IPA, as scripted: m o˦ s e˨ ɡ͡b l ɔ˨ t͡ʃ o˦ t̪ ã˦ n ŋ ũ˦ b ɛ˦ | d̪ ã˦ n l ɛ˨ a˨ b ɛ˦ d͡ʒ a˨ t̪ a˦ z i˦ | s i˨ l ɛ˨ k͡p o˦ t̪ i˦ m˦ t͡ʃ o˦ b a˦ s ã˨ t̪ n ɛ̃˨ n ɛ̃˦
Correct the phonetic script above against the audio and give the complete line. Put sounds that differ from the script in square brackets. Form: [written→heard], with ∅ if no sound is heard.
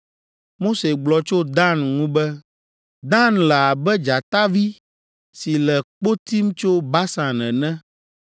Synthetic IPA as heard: m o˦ s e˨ ɡ͡b l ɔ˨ t͡ʃ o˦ [t̪→d̪] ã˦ n ŋ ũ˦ b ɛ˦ | d̪ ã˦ n l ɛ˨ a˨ b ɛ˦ d͡ʒ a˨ t̪ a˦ [z→v] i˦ | s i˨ l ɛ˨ k͡p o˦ t̪ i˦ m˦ t͡ʃ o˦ b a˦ s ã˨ [t̪→∅] n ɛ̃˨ n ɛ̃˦